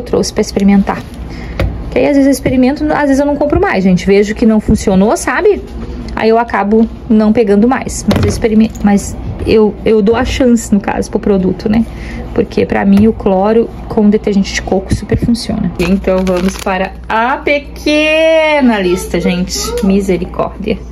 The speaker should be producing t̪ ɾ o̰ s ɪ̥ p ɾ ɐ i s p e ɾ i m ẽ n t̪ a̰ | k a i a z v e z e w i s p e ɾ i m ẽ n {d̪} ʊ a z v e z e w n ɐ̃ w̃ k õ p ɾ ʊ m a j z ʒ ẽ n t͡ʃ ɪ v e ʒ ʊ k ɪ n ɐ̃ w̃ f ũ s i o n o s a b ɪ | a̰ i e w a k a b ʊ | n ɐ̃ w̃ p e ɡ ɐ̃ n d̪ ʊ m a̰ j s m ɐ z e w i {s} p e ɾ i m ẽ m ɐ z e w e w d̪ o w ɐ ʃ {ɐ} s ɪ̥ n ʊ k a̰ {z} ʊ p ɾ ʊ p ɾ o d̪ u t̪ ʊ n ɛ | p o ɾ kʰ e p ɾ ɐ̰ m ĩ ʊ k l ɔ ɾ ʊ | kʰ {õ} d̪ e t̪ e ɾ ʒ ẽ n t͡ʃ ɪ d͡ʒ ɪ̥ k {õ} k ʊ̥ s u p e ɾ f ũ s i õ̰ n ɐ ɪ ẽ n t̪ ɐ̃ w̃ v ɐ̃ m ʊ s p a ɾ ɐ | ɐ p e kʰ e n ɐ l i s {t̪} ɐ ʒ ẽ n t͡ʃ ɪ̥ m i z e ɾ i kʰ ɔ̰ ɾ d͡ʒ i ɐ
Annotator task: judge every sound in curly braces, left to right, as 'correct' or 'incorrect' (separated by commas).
incorrect, correct, incorrect, correct, correct, incorrect, correct